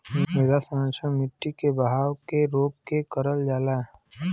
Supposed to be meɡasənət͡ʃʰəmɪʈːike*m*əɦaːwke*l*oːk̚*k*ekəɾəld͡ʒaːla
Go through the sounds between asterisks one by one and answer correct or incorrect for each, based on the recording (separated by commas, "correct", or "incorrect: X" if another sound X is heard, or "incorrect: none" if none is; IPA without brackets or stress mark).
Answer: incorrect: b, incorrect: ɾ, correct